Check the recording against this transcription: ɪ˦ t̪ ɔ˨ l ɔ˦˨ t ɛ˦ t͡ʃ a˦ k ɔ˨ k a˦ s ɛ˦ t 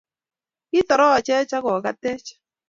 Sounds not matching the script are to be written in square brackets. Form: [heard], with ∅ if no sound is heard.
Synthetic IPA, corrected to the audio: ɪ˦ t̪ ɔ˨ [ɾ] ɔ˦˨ [t͡ʃ] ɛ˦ t͡ʃ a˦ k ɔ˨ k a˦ [t] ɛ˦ [t͡ʃ]